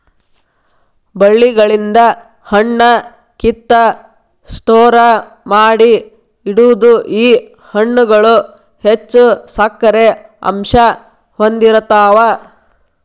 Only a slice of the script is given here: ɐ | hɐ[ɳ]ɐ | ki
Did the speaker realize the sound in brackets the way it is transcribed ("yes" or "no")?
no